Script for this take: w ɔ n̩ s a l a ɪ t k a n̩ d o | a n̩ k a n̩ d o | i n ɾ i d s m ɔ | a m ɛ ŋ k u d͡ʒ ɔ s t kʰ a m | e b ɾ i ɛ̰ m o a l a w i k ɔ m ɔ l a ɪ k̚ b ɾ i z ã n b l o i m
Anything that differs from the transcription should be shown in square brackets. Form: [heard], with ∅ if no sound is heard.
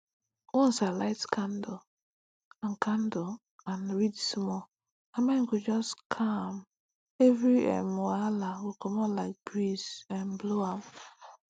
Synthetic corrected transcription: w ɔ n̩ s a l a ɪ t k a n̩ d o | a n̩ k a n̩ d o | [a] n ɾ i d s m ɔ | a m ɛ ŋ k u d͡ʒ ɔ s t kʰ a m | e [v] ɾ i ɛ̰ m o a l a w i k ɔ m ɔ l a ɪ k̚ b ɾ i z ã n b l o [a] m